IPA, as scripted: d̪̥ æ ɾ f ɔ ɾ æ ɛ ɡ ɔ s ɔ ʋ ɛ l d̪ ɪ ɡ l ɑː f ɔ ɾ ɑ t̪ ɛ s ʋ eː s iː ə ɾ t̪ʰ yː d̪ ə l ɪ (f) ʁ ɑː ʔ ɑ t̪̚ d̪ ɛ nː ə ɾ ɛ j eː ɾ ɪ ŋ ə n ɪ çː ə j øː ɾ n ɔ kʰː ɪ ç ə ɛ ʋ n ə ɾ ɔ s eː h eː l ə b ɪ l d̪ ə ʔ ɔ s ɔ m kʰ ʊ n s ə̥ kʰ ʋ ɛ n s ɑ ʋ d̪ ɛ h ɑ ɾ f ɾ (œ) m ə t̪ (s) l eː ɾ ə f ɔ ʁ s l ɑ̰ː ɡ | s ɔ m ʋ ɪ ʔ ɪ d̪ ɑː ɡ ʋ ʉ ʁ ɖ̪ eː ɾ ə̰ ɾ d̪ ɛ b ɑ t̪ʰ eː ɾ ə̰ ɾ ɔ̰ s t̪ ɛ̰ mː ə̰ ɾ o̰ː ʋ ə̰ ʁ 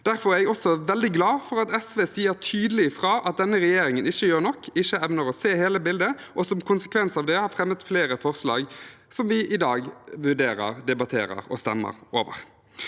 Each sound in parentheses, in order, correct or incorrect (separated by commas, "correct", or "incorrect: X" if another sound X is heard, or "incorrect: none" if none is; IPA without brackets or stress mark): correct, incorrect: ɛ, incorrect: f